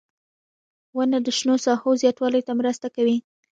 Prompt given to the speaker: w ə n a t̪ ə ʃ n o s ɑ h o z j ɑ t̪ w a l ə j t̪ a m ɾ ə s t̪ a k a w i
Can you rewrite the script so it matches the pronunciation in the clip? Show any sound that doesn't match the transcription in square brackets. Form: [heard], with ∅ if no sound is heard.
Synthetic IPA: w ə n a [d̪] ə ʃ n o s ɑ h o z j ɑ t̪ w [ɑ] l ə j t̪ a m ɾ ə s t̪ a k a w i